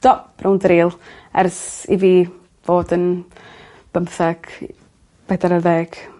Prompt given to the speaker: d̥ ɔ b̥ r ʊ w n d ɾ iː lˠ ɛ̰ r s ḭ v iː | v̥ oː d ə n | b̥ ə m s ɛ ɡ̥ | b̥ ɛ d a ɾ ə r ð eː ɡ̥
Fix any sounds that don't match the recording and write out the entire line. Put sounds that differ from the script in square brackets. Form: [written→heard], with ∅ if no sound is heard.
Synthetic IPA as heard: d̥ ɔ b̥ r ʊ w n d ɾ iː lˠ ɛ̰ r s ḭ v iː | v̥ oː d ə n | b̥ ə m [s→θ] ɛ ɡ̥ | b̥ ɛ d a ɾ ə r ð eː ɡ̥